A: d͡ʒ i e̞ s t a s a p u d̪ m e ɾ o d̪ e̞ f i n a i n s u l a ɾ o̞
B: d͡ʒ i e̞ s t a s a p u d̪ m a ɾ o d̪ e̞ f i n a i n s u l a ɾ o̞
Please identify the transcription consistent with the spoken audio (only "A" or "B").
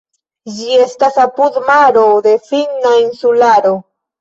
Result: B